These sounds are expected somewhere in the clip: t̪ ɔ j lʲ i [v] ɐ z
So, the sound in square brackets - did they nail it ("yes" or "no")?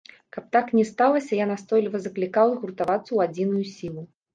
yes